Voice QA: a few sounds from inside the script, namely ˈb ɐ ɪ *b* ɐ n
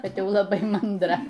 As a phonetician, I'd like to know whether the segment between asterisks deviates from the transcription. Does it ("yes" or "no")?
yes